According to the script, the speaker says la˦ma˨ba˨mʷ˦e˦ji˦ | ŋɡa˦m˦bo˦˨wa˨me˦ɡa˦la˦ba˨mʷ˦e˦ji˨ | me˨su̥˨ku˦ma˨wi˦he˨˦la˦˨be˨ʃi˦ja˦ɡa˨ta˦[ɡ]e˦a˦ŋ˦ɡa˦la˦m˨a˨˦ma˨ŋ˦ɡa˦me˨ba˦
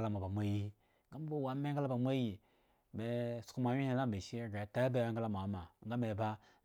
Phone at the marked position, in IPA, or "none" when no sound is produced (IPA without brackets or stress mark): b